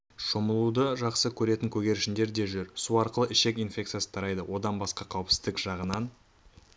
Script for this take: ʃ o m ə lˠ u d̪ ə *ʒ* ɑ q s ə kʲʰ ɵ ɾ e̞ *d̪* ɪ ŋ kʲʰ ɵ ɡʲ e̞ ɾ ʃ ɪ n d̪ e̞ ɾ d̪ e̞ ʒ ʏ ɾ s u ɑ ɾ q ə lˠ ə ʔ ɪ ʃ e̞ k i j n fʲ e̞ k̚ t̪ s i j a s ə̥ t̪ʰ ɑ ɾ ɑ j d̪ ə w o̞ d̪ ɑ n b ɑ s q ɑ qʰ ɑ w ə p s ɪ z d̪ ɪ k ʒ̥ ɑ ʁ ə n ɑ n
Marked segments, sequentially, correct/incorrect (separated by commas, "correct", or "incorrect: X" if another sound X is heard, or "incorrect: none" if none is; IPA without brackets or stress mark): correct, incorrect: t̪